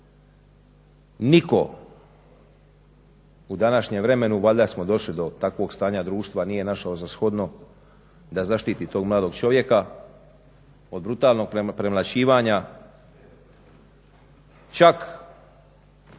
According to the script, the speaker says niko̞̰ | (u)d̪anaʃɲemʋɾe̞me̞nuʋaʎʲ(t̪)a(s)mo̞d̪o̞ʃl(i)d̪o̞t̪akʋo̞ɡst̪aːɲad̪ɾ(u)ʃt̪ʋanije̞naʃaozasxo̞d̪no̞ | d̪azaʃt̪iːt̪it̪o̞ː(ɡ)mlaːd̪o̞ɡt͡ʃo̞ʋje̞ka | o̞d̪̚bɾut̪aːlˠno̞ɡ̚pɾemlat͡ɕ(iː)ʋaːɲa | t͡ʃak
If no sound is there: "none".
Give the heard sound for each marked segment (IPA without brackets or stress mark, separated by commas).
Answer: u, d̪, s, i, uː, ɡ, iː